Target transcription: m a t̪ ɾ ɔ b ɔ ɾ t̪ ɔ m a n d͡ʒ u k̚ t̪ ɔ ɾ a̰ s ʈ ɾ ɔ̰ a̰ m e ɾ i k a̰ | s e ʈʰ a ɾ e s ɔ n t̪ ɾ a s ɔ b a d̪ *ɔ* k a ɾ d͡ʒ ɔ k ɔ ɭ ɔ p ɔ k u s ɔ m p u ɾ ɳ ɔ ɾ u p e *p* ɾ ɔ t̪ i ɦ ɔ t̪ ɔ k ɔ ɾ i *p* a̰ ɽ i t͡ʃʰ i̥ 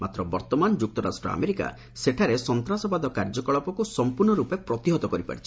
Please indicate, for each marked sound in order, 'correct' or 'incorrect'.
correct, correct, correct

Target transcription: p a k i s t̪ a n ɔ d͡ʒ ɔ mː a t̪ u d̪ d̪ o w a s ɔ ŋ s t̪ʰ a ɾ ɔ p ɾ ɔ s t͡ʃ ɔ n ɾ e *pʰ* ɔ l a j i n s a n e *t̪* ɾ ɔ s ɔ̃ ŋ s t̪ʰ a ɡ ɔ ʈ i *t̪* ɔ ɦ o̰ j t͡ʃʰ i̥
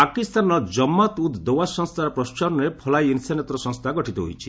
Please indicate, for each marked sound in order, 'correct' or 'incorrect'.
correct, correct, correct

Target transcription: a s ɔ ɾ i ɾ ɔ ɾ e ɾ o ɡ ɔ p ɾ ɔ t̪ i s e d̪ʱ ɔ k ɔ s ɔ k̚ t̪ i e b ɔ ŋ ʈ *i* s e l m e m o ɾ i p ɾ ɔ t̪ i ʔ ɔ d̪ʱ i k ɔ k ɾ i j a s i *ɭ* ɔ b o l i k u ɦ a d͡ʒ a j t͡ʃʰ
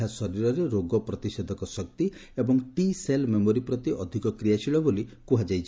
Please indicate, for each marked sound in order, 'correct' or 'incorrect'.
correct, correct

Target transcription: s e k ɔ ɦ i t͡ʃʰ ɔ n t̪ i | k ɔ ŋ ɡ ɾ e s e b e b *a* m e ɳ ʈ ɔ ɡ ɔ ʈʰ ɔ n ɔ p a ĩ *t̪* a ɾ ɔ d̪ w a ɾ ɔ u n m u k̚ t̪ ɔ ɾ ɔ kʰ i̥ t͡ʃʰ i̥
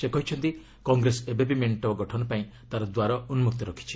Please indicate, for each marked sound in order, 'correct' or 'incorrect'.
incorrect: i, correct

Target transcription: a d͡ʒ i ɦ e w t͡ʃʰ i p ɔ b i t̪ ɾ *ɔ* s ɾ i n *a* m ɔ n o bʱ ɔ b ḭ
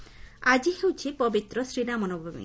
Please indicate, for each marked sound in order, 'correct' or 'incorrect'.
correct, correct

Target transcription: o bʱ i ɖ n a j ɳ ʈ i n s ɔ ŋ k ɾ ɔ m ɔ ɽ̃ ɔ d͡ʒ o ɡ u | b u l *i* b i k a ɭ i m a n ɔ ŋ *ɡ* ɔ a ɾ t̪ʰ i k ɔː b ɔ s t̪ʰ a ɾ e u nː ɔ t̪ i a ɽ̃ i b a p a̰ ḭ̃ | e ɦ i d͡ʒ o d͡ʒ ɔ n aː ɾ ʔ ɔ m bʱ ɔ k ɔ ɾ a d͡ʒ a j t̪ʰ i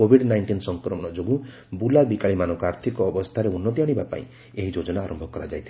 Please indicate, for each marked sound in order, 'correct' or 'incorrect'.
incorrect: a, incorrect: k

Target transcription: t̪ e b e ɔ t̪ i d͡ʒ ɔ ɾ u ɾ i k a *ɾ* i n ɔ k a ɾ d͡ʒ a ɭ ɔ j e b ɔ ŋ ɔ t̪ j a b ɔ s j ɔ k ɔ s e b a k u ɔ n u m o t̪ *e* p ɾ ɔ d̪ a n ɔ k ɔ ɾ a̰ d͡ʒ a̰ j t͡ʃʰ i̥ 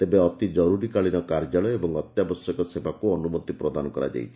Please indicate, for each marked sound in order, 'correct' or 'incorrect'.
incorrect: ɭ, incorrect: i

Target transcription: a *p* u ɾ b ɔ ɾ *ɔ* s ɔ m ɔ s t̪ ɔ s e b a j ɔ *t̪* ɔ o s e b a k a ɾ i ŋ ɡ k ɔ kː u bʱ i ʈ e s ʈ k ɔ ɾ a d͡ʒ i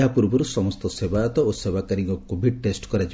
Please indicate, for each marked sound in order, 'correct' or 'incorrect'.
correct, incorrect: u, correct

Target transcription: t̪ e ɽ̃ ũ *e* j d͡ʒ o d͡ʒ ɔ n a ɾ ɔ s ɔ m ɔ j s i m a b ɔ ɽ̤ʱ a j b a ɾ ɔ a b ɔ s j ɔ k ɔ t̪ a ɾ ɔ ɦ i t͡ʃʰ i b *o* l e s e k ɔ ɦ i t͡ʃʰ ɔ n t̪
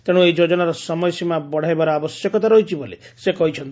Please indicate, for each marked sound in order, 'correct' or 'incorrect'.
correct, correct

